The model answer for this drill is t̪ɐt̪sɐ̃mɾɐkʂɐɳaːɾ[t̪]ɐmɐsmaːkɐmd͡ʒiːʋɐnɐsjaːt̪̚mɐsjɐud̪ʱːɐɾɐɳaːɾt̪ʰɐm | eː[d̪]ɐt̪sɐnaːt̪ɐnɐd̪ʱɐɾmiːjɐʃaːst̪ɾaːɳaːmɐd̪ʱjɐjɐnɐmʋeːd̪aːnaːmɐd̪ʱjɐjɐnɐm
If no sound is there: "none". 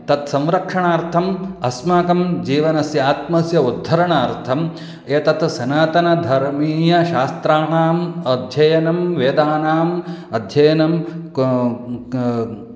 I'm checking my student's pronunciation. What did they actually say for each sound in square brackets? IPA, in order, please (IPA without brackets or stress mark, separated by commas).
t̪ʰ, t̪